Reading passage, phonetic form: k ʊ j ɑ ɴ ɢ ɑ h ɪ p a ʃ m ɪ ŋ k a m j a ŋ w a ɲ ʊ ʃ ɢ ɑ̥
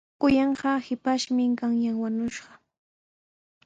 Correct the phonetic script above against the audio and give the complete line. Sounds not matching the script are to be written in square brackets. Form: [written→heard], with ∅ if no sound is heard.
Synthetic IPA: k ʊ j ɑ ɴ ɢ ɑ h ɪ p a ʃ m ɪ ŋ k a [m→ŋ] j a ŋ w a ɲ ʊ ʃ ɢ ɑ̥